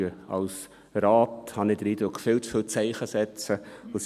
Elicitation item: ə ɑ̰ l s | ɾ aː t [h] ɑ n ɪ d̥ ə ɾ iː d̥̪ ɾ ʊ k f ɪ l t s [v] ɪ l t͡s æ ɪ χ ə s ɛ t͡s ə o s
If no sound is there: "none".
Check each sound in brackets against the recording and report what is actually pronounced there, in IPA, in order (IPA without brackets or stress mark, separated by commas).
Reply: h, f